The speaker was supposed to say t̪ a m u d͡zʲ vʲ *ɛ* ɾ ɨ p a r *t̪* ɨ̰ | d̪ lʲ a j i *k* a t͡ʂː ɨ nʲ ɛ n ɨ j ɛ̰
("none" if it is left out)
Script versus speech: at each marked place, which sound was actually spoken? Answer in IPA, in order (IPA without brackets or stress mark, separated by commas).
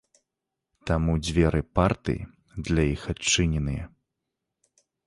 ɛ, t̪, x